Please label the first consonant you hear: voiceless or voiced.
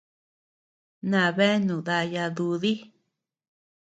voiced